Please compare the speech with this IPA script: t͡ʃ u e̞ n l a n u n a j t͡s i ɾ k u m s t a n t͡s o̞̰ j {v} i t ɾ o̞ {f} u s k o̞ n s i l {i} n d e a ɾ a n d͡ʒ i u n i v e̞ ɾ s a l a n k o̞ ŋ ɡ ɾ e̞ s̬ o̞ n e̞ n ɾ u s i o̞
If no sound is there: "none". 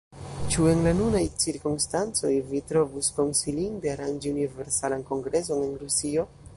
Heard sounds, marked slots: v, v, i

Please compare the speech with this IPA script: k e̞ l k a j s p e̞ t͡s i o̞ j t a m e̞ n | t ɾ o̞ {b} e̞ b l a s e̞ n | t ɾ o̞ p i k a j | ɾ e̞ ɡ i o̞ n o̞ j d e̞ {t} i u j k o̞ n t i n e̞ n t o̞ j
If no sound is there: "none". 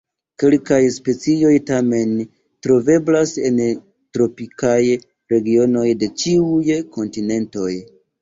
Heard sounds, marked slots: v, t͡ʃ

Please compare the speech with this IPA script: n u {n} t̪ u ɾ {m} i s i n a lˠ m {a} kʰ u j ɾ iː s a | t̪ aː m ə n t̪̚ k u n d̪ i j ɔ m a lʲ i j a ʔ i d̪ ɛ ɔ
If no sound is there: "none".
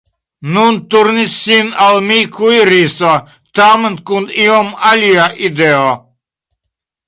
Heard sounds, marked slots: n, n, i

